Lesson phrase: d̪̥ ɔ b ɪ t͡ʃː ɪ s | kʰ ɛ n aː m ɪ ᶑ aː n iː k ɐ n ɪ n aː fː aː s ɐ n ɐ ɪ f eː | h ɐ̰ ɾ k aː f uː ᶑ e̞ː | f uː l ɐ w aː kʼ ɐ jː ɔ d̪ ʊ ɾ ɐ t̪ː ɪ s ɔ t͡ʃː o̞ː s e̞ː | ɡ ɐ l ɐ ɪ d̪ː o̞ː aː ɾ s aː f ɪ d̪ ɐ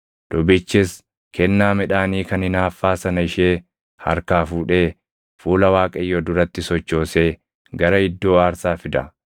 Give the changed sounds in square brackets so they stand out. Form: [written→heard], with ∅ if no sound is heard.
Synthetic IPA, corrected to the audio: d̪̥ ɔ b ɪ t͡ʃː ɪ s | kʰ ɛ [n→nː] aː m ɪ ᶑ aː n iː k ɐ n ɪ n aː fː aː s ɐ n ɐ ɪ [f→ʃ] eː | h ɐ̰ ɾ k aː f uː ᶑ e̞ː | f uː l ɐ w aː kʼ ɐ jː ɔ d̪ ʊ ɾ ɐ t̪ː ɪ s ɔ t͡ʃː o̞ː s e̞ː | ɡ ɐ [l→ɾ] ɐ ɪ d̪ː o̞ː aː ɾ s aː f ɪ d̪ ɐ